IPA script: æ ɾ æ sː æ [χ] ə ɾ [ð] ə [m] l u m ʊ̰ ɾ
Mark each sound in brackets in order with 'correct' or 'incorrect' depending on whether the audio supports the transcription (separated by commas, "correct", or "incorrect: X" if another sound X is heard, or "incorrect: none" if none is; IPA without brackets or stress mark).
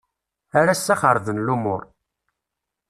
correct, correct, incorrect: n